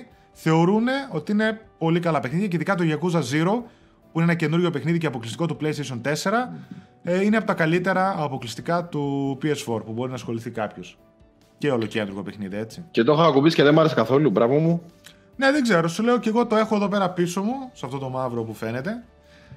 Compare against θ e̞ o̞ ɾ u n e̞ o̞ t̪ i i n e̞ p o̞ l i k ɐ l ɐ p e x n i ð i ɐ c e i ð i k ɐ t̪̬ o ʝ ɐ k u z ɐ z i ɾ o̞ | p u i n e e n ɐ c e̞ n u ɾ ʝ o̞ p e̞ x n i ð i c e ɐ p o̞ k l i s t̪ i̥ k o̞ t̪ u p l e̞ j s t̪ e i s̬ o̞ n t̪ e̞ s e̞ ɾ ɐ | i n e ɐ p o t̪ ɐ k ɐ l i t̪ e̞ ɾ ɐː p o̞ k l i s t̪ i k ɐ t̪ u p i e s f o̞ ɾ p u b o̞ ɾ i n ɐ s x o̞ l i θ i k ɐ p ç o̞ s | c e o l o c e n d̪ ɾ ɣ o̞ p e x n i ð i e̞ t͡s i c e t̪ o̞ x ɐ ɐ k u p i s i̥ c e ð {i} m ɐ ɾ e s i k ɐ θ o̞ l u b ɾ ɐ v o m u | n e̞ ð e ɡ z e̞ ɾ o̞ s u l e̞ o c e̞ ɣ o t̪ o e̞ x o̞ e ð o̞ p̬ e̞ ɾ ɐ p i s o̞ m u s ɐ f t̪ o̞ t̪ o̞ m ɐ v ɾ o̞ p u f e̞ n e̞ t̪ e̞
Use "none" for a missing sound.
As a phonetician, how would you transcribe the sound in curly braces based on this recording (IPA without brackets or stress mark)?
e